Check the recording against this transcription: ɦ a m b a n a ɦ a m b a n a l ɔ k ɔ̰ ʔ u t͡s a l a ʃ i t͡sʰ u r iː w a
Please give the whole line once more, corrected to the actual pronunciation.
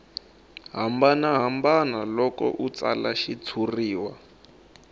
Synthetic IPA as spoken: ɦ a m b a n a ɦ a m b a n a l ɔ k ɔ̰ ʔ u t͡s a l a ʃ i t͡sʰ u r iː w a